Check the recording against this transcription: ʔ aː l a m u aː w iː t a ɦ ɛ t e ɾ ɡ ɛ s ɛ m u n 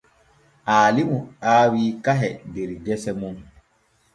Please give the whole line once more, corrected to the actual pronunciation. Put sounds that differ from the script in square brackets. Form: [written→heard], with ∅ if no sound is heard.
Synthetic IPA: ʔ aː l [a→i] m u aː w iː [t→k] a ɦ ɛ [t→d] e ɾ ɡ ɛ s ɛ m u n